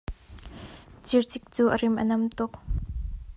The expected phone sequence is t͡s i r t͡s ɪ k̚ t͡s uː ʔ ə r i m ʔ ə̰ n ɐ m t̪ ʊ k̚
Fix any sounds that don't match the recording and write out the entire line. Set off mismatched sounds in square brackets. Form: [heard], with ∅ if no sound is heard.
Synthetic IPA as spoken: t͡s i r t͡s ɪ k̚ t͡s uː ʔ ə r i m ʔ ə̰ n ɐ m t̪ ʊ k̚